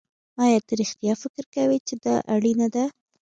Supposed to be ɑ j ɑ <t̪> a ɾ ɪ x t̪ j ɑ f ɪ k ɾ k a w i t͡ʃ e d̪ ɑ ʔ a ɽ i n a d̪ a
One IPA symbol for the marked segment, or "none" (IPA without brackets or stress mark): t̪